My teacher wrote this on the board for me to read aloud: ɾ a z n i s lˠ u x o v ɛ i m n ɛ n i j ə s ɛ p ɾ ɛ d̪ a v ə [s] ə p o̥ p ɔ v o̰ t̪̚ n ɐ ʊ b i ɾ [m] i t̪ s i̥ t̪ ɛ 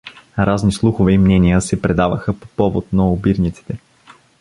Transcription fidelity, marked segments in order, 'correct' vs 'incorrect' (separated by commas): incorrect, incorrect